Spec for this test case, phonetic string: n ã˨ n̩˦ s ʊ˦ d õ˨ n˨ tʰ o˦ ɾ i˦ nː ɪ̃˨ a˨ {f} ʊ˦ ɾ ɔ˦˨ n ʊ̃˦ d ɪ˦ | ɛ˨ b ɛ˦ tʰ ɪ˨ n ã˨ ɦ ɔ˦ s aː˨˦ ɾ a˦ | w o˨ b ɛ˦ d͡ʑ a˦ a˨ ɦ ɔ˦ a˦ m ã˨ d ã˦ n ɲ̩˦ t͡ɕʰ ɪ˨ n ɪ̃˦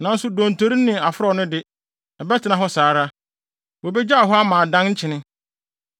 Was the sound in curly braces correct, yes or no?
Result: yes